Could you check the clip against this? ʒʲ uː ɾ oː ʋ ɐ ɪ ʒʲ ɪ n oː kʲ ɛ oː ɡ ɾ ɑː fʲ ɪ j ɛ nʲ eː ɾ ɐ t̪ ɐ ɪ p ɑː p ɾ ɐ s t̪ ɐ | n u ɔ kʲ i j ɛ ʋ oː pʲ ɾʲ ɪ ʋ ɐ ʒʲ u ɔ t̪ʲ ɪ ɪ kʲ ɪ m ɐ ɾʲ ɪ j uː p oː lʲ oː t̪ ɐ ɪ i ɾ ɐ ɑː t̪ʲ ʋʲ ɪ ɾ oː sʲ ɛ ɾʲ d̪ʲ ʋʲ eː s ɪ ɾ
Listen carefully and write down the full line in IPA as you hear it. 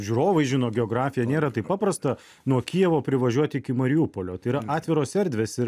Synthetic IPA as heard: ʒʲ uː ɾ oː ʋ ɐ ɪ ʒʲ ɪ n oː ɡʲ ɛ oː ɡ ɾ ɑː fʲ ɪ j ɛ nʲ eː ɾ ɐ t̪ ɐ ɪ p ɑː p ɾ ɐ s t̪ ɐ | n u ɔ kʲ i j ɛ ʋ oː pʲ ɾʲ ɪ ʋ ɐ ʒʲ u ɔ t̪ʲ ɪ ɪ kʲ ɪ m ɐ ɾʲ ɪ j uː p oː lʲ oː t̪ ɐ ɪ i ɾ ɐ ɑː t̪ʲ ʋʲ ɪ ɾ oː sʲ ɛ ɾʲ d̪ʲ ʋʲ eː s ɪ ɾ

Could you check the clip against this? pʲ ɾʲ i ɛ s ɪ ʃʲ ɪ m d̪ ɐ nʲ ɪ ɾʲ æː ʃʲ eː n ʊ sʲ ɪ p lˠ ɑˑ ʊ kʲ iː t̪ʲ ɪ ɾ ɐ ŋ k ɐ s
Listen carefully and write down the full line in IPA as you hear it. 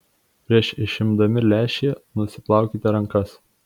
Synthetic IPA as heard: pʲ ɾʲ i ɛ ʃ ɪ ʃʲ ɪ m d̪ ɐ mʲ ɪ lʲ æː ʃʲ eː n ʊ sʲ ɪ p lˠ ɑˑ ʊ kʲ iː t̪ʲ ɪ ɾ ɐ ŋ k ɐ s

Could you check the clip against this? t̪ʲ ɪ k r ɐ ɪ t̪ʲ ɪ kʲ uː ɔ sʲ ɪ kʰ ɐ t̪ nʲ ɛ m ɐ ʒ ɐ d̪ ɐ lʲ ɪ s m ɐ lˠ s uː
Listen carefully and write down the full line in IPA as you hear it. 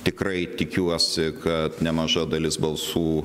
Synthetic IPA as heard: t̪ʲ ɪ k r ɐ ɪ t̪ʲ ɪ kʲ u ɔ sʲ ɪ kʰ ɐ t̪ nʲ ɛ m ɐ ʒ ɐ d̪ ɐ lʲ ɪ s b ɐ lˠ s uː

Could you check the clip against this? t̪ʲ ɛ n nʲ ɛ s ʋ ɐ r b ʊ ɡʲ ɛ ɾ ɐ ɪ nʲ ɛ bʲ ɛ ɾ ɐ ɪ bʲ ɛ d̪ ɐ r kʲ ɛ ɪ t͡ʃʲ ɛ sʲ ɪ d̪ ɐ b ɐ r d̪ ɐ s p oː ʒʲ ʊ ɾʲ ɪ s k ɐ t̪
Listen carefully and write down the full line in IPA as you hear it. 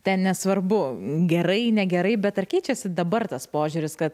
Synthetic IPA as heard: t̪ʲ ɛ n nʲ ɛ s ʋ ɐ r b ʊ ɡʲ ɛ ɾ ɐ ɪ nʲ ɛ ɡʲ ɛ ɾ ɐ ɪ bʲ ɛ t̪ ɐ r kʲ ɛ ɪ t͡ʃʲ ɛ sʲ ɪ d̪ ɐ b ɐ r t̪ ɐ s p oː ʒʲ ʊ ɾʲ ɪ s k ɐ t̪

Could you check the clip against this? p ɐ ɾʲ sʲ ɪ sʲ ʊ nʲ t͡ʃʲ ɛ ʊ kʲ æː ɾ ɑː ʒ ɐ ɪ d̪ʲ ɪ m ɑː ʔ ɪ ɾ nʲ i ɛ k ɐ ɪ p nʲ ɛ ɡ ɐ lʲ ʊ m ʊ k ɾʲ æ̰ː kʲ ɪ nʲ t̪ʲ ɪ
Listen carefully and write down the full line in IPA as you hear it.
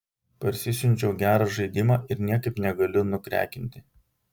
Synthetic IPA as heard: p ɐ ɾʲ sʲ ɪ sʲ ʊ nʲ t͡ʃʲ ɛ ʊ ɡʲ æː ɾ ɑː ʒ ɐ ɪ d̪ʲ ɪ m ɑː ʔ ɪ ɾ nʲ i ɛ k ɐ ɪ p nʲ ɛ ɡ ɐ lʲ ʊ n ʊ k ɾʲ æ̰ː kʲ ɪ nʲ t̪ʲ ɪ

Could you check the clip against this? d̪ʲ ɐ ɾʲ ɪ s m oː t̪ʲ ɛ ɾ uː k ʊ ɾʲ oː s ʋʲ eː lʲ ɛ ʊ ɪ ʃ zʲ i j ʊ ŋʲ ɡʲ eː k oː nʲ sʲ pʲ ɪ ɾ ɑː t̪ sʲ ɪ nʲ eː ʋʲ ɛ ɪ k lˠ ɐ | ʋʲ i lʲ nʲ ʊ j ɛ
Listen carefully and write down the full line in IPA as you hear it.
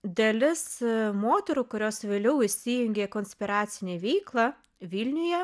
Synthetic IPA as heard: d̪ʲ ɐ lʲ ɪ s m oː t̪ʲ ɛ ɾ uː k ʊ ɾʲ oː s ʋʲ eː lʲ ɛ ʊ ɪ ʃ sʲ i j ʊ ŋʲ ɡʲ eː k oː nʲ sʲ pʲ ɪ ɾ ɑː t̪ sʲ ɪ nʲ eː ʋʲ ɛ ɪ k lˠ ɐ | ʋʲ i lʲ nʲ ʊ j ɛ

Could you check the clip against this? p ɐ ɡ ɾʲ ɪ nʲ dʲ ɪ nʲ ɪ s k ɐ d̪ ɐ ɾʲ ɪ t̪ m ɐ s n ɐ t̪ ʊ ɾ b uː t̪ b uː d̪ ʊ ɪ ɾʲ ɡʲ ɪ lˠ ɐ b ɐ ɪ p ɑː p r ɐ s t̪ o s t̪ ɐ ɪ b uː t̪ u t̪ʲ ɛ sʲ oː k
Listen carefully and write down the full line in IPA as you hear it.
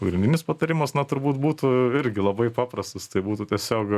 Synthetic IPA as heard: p ɐ ɡ ɾʲ ɪ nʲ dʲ ɪ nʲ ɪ s p ɐ t̪ ɐ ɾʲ ɪ m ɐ s n ɐ t̪ ʊ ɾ b uː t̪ b uː t̪ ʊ ɪ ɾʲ ɡʲ ɪ lˠ ɐ b ɐ ɪ p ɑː p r ɐ s t̪ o s t̪ ɐ ɪ b uː t̪ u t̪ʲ ɛ sʲ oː k

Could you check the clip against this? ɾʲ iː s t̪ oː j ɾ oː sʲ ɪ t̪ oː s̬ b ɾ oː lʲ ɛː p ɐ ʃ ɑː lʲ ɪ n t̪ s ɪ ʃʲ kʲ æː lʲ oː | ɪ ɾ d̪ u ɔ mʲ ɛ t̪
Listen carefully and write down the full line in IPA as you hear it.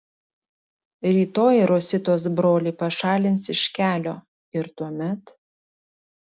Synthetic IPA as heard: ɾʲ iː t̪ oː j ɾ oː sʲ ɪ t̪ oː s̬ b ɾ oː lʲ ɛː p ɐ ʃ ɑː lʲ ɪ n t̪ s ɪ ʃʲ kʲ æː lʲ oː | ɪ ɾ t̪ u ɔ mʲ ɛ t̪

